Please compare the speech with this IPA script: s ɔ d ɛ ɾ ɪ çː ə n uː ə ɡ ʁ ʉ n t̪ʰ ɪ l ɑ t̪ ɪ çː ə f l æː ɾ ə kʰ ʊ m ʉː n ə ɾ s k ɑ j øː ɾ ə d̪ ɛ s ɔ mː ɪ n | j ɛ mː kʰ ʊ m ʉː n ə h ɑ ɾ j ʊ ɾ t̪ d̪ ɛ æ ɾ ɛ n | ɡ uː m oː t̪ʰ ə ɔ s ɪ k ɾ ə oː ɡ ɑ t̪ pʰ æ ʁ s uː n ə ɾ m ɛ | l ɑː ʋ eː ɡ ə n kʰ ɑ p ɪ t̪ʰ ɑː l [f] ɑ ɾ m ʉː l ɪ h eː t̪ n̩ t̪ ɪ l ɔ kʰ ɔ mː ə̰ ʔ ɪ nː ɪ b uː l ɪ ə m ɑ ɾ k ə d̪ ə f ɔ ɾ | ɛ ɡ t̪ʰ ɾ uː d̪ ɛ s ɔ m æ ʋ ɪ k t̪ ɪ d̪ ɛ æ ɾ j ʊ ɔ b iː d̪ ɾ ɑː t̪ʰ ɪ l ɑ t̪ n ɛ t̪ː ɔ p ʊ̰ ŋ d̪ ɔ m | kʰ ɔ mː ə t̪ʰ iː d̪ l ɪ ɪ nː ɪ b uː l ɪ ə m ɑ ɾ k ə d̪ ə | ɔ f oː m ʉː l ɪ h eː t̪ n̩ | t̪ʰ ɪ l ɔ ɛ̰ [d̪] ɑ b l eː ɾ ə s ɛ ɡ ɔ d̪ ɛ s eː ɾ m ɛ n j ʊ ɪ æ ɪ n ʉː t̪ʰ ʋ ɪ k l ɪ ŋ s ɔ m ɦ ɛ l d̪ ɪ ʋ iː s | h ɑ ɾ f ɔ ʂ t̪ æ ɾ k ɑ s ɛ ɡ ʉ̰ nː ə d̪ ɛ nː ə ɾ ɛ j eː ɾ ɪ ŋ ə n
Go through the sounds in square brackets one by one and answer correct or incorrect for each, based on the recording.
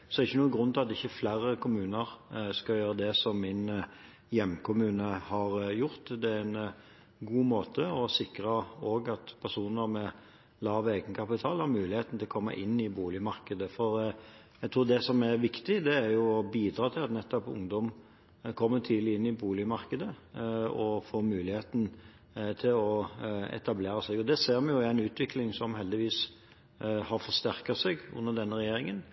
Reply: incorrect: h, incorrect: t̪

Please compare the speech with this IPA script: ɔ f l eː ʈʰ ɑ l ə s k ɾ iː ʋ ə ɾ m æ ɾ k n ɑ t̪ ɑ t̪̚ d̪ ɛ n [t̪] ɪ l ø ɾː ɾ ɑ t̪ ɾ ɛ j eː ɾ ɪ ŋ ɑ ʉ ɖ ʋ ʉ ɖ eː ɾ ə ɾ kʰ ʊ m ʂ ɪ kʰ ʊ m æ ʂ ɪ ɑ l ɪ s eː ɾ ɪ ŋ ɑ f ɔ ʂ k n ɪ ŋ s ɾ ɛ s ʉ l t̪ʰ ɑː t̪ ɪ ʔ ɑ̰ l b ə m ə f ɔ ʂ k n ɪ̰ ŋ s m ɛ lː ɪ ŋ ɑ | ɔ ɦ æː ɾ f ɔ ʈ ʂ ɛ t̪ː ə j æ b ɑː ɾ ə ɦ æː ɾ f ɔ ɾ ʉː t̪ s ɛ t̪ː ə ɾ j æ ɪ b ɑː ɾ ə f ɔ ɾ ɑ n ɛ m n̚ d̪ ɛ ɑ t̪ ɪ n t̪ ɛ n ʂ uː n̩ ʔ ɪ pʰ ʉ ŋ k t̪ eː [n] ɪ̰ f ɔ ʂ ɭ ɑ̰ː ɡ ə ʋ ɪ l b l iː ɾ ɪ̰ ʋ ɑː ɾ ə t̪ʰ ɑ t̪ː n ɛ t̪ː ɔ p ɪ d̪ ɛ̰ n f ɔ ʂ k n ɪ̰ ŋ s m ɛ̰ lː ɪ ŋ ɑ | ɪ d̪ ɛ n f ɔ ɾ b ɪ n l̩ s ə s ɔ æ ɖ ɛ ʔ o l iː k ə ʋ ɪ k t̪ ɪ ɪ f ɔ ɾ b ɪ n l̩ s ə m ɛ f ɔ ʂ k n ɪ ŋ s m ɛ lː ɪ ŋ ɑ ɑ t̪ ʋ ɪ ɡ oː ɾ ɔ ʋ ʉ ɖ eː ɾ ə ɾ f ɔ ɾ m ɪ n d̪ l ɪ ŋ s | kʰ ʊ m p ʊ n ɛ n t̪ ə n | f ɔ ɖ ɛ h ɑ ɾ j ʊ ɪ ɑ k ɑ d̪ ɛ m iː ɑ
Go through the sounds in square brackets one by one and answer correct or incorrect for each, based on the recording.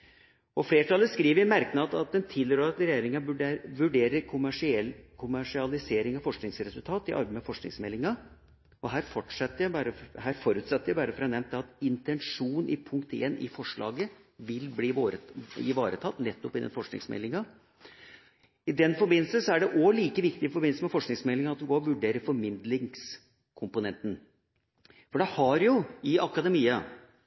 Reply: incorrect: t̪ʰ, correct

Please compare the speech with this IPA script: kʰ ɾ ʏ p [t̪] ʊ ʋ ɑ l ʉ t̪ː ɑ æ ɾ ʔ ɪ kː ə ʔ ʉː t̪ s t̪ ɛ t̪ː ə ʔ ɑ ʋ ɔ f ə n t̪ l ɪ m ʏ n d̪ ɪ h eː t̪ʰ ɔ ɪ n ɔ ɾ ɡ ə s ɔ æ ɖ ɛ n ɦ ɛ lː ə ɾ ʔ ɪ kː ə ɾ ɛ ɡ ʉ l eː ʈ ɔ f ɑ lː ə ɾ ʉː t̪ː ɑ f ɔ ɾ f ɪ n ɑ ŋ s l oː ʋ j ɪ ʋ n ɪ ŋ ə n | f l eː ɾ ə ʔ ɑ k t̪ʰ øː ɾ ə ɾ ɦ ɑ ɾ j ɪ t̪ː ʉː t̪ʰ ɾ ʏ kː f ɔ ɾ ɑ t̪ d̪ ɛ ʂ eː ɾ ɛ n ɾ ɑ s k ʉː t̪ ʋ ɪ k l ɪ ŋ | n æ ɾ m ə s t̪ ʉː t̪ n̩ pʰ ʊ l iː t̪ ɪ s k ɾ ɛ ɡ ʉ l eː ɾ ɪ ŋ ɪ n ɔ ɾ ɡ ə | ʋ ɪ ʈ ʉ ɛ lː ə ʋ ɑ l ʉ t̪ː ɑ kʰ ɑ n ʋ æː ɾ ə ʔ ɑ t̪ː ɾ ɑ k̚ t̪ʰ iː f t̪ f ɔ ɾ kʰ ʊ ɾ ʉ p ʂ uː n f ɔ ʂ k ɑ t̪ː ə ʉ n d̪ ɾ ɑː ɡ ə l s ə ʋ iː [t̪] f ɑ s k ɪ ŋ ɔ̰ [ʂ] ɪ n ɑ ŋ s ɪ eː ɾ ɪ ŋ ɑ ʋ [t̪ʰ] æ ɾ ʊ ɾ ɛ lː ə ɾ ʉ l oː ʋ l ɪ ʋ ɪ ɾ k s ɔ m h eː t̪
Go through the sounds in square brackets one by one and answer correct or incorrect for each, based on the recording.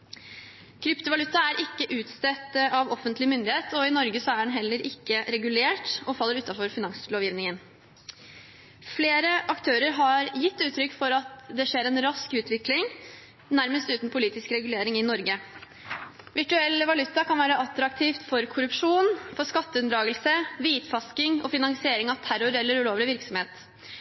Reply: correct, correct, incorrect: f, correct

